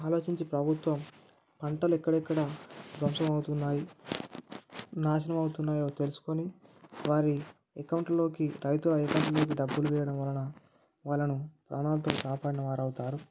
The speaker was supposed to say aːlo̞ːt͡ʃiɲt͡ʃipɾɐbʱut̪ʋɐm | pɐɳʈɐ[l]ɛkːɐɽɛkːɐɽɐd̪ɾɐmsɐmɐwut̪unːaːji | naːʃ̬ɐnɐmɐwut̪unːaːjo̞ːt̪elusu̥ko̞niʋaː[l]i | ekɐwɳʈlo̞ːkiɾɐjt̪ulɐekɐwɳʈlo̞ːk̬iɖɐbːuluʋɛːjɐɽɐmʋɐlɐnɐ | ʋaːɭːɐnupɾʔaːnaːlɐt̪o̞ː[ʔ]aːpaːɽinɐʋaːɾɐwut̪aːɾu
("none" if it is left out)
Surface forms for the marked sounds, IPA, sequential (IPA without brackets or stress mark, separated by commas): l, ɾ, k